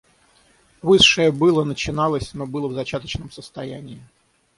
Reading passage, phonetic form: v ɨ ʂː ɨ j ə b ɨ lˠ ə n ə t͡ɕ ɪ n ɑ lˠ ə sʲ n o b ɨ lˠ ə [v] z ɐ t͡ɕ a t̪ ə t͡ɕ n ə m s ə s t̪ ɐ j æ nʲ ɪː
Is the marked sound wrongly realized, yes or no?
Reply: no